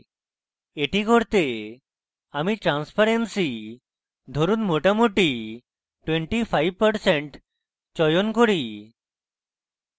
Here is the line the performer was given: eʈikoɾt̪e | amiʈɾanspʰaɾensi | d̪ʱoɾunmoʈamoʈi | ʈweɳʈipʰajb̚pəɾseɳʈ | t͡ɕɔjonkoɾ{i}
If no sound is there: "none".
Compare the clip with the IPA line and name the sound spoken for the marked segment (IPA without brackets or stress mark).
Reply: i